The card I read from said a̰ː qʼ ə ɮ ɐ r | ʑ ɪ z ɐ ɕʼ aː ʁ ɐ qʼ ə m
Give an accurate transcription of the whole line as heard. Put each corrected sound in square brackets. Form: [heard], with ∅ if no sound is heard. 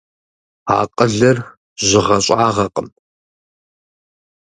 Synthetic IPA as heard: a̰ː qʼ ə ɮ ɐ r | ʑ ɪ [ʁ] ɐ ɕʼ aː ʁ ɐ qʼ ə m

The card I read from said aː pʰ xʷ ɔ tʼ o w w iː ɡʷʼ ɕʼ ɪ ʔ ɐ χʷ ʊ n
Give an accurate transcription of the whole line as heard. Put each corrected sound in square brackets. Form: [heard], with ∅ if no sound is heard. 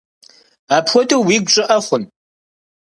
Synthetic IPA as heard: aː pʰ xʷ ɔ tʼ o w w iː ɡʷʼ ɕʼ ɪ ʔ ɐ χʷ ʊ n

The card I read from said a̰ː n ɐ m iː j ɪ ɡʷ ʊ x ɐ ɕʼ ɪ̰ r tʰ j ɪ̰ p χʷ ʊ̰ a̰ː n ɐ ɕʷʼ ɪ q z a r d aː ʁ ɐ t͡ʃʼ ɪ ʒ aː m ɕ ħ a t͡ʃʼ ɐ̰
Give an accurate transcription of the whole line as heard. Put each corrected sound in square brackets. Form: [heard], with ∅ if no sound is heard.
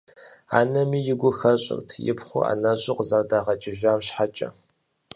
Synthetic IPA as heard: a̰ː n ɐ m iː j ɪ ɡʷ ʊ x ɐ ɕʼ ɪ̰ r tʰ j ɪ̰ p χʷ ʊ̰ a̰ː n ɐ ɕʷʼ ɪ q z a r d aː ʁ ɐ t͡ʃʼ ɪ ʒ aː m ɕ ħ a t͡ʃʼ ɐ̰

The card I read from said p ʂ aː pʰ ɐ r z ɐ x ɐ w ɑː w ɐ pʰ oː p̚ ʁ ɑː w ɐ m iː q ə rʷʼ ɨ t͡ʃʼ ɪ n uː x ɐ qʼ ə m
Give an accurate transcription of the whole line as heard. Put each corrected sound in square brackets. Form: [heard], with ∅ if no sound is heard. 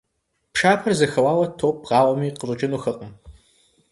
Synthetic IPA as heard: p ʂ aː pʰ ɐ r z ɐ x ɐ w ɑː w ɐ [tʰ] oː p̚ ʁ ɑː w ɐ m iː q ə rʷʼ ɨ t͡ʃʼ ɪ n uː x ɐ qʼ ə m

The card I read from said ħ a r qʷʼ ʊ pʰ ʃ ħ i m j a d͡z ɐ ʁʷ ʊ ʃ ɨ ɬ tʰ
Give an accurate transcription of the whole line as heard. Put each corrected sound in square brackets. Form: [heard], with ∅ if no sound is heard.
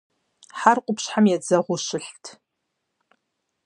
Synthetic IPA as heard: ħ a r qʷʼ ʊ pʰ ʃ ħ [a] m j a d͡z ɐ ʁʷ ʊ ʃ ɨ ɬ tʰ

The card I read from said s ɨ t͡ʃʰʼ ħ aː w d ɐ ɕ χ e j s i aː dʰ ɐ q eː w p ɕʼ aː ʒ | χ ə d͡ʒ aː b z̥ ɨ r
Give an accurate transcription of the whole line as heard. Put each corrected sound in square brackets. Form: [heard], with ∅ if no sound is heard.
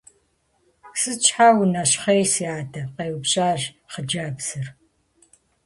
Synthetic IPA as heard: s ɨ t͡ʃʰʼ ħ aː w [n] ɐ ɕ χ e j s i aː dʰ ɐ q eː w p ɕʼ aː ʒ | χ ə d͡ʒ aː b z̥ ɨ r

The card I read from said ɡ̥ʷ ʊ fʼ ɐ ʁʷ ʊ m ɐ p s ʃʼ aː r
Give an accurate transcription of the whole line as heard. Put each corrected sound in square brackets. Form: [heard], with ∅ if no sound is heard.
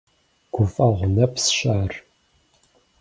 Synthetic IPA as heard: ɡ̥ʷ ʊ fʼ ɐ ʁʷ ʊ [n] ɐ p s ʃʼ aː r

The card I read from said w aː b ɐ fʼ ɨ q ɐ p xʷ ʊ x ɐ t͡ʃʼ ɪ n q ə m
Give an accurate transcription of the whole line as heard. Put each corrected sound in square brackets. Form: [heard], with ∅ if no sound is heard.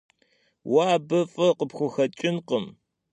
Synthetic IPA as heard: w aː b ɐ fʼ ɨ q [ə] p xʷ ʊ x ɐ t͡ʃʼ ɪ n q ə m

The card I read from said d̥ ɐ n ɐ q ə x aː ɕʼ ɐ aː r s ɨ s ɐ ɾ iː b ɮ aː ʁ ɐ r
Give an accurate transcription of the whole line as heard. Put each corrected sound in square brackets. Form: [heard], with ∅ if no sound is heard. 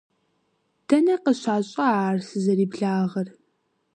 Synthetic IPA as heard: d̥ ɐ n ɐ q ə [ɕ] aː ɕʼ ɐ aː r s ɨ [z] ɐ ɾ iː b ɮ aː ʁ ɐ r

